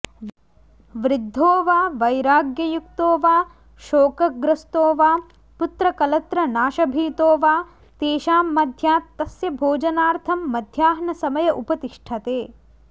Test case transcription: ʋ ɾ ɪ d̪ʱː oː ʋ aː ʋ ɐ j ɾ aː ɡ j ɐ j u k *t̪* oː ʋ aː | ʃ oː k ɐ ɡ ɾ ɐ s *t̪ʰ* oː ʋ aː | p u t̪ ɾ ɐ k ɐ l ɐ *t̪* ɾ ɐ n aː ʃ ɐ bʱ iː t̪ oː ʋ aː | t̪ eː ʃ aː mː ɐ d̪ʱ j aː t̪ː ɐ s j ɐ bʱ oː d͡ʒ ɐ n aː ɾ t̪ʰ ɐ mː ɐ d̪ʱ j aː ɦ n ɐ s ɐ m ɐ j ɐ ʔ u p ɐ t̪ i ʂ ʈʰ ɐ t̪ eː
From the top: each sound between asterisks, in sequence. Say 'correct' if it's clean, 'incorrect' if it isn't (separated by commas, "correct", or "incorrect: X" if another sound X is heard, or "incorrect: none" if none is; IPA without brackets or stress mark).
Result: correct, incorrect: t̪, correct